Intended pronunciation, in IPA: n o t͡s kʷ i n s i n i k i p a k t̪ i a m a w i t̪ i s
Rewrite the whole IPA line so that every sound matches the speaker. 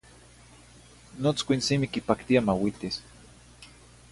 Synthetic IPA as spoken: n o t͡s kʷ i n s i m i k i p a k t̪ i a m a w i t̪ i s